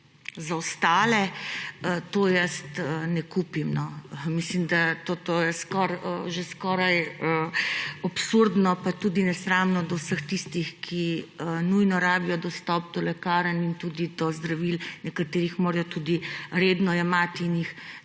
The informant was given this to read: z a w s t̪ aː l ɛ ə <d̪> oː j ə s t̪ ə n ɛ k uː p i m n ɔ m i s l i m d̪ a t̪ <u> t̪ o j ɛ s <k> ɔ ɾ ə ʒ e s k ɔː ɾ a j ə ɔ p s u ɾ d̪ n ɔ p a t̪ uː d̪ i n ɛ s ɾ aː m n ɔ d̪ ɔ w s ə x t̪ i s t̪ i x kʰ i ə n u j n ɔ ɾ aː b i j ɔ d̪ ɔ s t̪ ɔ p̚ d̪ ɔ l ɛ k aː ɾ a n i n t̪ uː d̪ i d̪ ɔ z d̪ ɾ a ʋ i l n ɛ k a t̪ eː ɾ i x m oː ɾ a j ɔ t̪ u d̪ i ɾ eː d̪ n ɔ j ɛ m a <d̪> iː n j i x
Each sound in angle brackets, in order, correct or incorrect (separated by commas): incorrect, incorrect, correct, incorrect